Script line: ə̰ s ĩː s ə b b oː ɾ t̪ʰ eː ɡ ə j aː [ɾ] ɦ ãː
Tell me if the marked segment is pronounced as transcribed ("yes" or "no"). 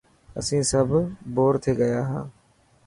no